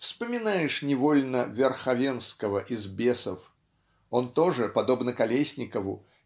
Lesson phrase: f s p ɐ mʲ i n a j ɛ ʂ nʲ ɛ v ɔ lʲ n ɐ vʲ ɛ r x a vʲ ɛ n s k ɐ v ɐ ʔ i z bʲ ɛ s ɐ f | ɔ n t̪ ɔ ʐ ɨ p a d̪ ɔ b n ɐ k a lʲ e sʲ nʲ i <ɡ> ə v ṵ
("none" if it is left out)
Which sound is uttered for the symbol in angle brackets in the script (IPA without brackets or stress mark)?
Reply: k